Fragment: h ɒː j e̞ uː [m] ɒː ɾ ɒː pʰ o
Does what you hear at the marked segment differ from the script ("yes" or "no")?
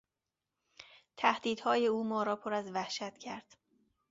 no